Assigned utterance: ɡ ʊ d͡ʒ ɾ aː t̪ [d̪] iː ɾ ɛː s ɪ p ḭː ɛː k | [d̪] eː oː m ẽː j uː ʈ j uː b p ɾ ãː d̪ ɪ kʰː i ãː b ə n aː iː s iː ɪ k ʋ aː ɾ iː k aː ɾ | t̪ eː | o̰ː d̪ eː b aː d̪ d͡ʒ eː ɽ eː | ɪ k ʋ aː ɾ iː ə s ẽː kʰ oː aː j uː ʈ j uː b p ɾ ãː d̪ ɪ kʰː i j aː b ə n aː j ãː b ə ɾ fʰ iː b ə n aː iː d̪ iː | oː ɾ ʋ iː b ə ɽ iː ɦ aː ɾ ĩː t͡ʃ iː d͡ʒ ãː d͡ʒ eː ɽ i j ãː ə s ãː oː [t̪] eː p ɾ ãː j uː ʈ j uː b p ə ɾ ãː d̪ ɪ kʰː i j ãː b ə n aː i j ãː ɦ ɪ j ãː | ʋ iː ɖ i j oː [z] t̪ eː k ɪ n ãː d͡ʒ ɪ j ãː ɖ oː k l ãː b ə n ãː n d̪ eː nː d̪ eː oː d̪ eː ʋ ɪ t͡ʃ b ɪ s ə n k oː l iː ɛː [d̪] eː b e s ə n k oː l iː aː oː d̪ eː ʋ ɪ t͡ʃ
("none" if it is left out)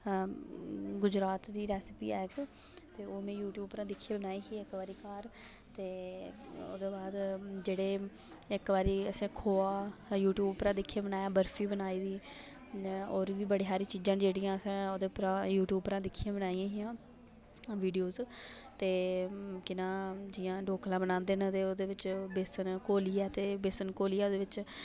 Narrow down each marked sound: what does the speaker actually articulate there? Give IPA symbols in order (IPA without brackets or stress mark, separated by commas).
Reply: d̪, t̪, d̪, z, t̪